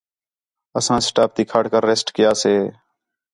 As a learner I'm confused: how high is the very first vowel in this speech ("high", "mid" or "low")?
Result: mid